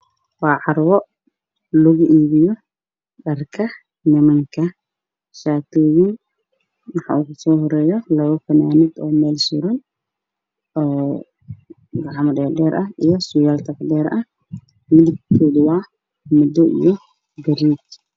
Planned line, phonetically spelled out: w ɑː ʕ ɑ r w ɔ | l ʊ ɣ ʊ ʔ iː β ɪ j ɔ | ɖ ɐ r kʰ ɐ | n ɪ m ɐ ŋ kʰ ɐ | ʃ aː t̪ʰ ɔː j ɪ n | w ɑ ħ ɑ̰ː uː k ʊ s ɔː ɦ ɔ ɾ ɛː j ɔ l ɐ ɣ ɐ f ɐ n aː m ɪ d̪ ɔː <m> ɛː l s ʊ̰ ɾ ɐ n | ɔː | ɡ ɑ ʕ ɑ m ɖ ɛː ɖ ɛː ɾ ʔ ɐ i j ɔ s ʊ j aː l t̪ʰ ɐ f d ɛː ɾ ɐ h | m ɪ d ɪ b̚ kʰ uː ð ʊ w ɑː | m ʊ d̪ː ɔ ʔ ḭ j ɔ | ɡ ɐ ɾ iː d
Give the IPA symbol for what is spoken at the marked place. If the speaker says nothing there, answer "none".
m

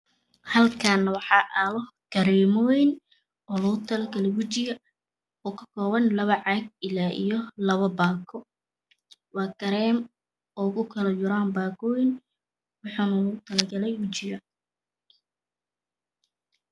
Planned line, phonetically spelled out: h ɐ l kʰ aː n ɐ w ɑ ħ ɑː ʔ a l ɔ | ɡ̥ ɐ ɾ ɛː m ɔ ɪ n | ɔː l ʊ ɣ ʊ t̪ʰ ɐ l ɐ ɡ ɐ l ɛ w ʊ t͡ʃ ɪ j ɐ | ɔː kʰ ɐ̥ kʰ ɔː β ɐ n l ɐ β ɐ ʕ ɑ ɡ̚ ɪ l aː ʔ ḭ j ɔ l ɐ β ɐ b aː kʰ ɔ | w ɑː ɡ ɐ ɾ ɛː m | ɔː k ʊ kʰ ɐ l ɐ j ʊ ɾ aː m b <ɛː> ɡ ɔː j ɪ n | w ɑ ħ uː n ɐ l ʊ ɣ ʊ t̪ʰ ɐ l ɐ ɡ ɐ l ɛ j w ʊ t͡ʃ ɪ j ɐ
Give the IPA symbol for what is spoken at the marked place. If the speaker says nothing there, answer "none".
aː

